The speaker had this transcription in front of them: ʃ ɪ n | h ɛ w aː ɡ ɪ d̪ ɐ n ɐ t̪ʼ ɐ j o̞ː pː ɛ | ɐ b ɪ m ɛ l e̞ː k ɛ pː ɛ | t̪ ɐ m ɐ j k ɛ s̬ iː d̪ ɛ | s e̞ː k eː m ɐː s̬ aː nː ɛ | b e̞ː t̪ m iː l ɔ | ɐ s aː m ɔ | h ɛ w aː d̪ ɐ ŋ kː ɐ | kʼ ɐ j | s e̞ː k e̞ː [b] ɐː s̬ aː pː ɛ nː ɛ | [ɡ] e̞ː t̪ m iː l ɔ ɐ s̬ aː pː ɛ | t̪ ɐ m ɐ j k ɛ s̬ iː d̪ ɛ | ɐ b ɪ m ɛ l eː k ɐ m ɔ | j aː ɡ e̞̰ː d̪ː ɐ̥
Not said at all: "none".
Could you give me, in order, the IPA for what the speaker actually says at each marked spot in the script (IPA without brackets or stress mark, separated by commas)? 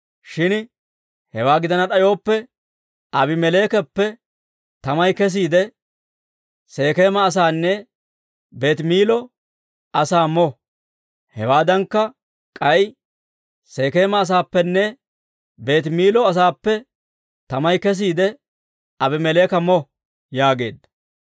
m, b